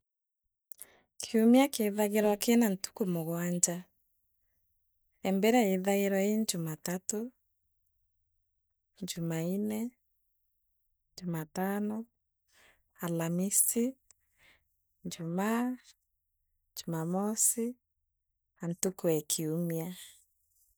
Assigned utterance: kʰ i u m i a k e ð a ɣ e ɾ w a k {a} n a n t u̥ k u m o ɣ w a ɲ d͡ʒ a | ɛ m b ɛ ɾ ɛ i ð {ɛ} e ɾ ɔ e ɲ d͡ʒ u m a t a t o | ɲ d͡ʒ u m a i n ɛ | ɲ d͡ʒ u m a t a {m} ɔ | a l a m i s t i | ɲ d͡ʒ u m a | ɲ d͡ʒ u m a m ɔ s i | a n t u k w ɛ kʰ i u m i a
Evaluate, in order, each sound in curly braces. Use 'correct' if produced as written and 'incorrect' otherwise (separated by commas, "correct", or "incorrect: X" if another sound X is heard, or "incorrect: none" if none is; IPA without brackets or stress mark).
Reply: incorrect: e, incorrect: a, incorrect: n